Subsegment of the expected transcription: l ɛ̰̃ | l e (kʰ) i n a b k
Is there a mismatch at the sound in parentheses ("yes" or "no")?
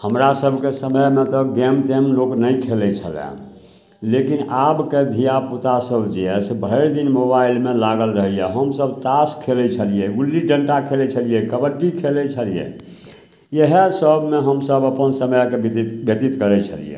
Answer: yes